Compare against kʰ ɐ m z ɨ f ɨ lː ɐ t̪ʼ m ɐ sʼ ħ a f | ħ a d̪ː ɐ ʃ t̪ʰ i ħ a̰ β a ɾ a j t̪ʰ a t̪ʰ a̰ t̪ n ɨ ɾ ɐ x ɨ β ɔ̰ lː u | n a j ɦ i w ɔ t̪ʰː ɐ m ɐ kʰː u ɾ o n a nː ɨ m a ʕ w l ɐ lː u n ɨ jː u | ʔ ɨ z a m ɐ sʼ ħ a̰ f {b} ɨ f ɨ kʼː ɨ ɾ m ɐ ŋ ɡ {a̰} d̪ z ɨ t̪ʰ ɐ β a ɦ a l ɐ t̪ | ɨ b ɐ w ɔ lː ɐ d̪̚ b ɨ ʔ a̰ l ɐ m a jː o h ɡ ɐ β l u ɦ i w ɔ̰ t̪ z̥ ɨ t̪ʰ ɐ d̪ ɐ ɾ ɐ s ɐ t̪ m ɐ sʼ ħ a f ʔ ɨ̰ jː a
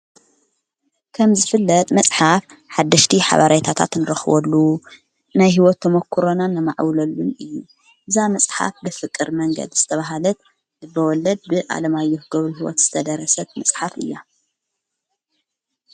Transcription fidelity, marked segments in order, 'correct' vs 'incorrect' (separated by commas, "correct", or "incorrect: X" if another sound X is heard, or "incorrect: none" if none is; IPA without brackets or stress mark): correct, incorrect: ɐ̰